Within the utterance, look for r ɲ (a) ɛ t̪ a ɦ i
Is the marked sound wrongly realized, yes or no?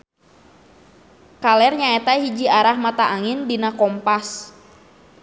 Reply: no